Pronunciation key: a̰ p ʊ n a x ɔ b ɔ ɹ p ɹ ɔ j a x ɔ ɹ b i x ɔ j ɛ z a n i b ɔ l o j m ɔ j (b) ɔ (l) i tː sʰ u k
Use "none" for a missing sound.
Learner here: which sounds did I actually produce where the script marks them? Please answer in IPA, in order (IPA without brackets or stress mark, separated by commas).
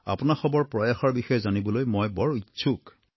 b, ɹ